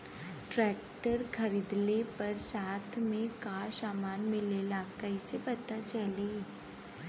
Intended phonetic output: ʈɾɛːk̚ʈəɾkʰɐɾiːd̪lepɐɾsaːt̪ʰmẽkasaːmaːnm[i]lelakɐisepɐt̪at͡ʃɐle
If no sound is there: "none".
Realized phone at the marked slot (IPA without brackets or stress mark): ɪ